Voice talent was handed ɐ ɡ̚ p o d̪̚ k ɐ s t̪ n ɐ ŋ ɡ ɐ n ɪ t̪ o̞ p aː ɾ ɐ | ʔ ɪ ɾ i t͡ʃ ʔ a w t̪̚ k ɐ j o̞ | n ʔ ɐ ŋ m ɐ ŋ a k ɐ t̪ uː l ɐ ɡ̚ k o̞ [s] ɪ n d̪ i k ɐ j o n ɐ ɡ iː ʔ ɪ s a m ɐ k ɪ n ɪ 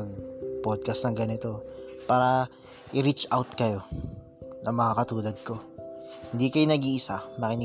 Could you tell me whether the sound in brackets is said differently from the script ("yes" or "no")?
yes